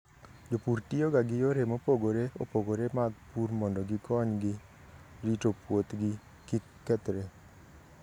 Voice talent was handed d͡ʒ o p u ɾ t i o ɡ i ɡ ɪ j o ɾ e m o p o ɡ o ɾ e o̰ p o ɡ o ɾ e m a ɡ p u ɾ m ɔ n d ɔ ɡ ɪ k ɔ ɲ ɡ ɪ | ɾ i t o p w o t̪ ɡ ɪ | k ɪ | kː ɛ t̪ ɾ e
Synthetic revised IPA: d͡ʒ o p u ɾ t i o ɡ a ɡ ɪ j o ɾ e m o p o ɡ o ɾ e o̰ p o ɡ o ɾ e m a ɡ p u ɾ m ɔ n d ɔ ɡ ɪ k ɔ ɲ ɡ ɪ | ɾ i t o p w o t̪ ɡ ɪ | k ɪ | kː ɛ t̪ ɾ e